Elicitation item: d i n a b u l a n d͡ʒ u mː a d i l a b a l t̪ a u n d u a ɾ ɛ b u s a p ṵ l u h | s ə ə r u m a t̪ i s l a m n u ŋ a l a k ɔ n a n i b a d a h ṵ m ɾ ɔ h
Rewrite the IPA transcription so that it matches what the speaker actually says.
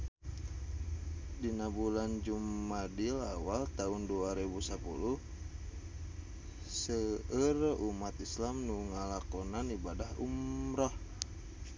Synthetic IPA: d i n a b u l a n d͡ʒ u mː a d i l a w a l t̪ a u n d u a ɾ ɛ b u s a p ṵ l u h | s ə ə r u m a t̪ i s l a m n u ŋ a l a k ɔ n a n i b a d a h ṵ m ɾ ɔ h